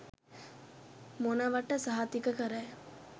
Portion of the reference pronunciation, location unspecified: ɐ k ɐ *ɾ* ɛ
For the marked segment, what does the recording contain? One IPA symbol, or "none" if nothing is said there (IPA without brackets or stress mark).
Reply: ɾ